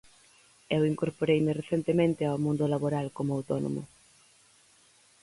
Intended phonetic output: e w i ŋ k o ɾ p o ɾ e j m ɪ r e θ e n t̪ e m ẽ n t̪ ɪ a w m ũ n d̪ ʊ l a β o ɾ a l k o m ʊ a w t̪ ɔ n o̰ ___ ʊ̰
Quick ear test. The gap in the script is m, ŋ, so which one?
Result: m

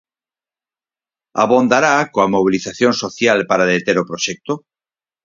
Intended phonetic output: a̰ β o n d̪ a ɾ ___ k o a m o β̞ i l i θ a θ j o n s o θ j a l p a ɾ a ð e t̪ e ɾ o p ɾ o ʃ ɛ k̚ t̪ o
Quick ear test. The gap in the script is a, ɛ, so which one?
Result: a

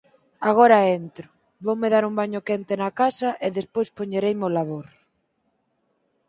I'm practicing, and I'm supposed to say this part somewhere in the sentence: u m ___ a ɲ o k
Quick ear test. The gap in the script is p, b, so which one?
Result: b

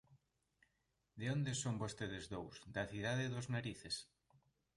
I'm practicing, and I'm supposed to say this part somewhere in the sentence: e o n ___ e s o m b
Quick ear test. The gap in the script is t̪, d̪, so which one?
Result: d̪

